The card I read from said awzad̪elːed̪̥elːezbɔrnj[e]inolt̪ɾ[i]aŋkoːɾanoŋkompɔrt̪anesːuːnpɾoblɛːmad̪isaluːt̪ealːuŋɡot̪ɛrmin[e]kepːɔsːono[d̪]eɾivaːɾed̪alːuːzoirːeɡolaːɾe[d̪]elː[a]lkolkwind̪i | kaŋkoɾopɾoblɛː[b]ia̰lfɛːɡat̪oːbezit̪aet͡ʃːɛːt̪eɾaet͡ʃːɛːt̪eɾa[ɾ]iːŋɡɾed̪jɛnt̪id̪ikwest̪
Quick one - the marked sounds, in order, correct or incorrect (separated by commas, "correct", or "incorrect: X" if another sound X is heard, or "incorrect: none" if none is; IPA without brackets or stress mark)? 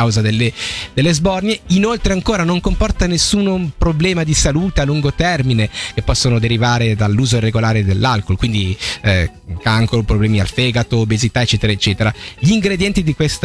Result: correct, incorrect: e, correct, correct, correct, correct, incorrect: m, incorrect: ʎ